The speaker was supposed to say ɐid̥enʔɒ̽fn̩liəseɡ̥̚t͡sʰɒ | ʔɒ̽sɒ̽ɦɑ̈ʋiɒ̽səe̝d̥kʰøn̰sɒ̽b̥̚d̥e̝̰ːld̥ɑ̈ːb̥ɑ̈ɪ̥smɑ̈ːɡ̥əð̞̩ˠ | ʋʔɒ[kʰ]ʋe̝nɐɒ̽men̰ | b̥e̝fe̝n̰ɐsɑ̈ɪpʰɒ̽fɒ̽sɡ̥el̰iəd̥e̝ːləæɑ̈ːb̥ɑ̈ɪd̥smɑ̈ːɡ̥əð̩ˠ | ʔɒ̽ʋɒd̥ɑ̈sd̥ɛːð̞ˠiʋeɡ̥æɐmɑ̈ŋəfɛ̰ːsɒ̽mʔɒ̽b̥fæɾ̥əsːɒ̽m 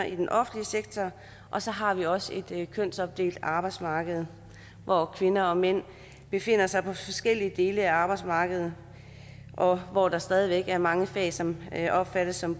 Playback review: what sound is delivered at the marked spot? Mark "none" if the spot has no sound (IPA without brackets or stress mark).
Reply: kʰ